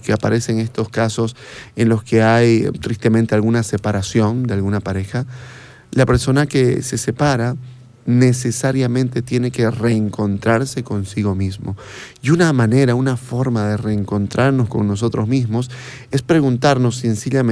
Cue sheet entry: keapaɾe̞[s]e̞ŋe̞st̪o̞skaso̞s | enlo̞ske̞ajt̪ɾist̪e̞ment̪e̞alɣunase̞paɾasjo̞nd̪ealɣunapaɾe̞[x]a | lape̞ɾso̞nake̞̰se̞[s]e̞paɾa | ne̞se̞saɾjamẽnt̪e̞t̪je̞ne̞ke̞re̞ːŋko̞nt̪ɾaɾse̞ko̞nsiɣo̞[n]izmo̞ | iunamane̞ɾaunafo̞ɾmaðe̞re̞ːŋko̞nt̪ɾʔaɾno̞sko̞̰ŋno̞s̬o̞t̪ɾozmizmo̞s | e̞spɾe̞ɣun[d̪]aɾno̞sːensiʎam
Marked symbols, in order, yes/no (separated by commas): yes, yes, yes, no, no